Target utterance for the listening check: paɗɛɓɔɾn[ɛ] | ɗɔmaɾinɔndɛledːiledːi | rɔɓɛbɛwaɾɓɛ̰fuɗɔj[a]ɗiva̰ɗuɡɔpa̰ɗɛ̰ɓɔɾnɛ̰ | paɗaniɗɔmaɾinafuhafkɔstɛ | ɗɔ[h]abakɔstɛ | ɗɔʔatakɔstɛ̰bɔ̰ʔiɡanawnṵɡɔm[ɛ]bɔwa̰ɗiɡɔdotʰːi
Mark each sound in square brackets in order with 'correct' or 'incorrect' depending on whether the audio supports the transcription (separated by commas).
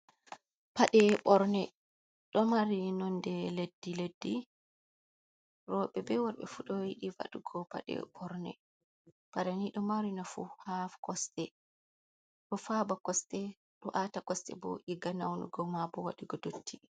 correct, incorrect, incorrect, incorrect